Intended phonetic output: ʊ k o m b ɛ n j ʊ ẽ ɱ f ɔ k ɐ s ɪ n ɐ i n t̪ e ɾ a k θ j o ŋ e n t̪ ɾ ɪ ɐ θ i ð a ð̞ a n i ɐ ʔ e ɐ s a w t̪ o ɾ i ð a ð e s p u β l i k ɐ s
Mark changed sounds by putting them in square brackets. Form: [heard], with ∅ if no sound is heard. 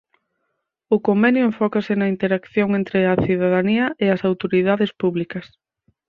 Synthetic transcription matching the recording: ʊ k o m b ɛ n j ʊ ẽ ɱ f ɔ k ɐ s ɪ n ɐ i n t̪ e ɾ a k θ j o ŋ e n t̪ ɾ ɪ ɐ θ i ð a ð̞ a n i ɐ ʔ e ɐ s a w t̪ o ɾ i ð a ð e s p u β l i k ɐ s